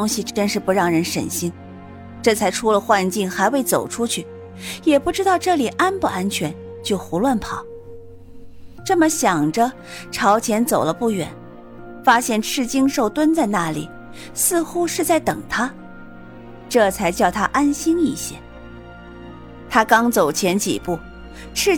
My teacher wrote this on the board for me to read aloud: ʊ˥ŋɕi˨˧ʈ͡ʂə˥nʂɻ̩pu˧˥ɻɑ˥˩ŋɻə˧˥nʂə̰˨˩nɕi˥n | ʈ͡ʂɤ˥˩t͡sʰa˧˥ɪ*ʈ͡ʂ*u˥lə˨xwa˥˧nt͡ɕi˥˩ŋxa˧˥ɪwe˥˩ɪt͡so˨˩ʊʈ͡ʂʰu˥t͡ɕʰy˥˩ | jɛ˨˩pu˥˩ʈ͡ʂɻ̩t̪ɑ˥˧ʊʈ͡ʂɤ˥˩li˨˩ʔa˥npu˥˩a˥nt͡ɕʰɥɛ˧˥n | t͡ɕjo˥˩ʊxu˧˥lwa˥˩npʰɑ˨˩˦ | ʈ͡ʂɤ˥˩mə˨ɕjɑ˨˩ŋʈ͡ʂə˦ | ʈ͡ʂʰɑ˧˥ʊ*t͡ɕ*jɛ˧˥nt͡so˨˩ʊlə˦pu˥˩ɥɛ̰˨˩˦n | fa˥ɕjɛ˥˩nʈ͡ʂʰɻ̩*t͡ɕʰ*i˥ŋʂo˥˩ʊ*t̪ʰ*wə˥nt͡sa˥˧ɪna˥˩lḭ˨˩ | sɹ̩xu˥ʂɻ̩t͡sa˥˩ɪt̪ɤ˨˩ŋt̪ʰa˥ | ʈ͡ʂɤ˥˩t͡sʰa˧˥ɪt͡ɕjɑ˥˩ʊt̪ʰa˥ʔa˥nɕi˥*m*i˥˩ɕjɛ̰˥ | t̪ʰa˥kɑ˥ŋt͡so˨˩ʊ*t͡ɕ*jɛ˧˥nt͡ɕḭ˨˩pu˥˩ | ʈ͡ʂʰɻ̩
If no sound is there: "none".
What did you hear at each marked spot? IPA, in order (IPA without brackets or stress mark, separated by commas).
ʈ͡ʂʰ, t͡ɕʰ, t͡ɕ, t̪, n, t͡ɕʰ